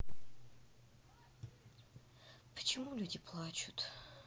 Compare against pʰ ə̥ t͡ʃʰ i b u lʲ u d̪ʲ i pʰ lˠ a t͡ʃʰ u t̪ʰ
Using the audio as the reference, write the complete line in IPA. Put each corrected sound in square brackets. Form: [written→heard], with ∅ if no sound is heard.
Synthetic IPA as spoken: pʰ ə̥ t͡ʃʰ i [b→m] u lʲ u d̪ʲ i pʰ lˠ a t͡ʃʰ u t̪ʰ